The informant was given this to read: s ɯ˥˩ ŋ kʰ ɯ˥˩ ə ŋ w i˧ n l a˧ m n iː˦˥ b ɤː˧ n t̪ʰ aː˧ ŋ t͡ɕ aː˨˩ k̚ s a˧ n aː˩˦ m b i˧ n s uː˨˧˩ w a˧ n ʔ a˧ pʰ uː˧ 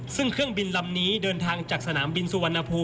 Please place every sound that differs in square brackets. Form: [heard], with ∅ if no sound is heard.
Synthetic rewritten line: s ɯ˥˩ ŋ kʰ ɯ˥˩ ə ŋ [b] i˧ n l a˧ m n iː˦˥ [d] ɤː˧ n t̪ʰ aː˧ ŋ t͡ɕ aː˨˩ k̚ s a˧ n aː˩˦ m b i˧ n s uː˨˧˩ w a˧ n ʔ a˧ pʰ uː˧